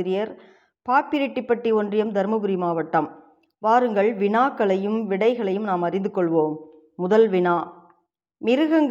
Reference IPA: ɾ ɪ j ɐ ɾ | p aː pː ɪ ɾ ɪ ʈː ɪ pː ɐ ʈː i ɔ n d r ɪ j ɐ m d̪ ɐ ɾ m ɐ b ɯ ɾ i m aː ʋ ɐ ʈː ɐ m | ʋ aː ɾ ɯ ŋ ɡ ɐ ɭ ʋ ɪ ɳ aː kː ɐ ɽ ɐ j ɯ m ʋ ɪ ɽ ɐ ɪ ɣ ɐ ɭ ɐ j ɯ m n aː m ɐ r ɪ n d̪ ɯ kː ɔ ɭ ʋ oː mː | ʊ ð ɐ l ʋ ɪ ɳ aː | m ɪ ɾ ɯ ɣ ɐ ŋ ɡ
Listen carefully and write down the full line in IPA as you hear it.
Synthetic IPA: ɾ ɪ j ɐ ɾ | p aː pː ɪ ɾ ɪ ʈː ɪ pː ɐ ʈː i ɔ n d r ɪ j ɐ m d̪ ɐ ɾ m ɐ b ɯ ɾ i m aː ʋ ɐ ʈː ɐ m | ʋ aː ɾ ɯ ŋ ɡ ɐ ɭ ʋ ɪ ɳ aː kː ɐ ɭ ɐ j ɯ m ʋ ɪ ɽ ɐ ɪ ɣ ɐ ɭ ɐ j ɯ m n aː m ɐ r ɪ n d̪ ɯ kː ɔ ɭ ʋ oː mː | ʊ ð ɐ l ʋ ɪ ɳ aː | m ɪ ɾ ɯ ɣ ɐ ŋ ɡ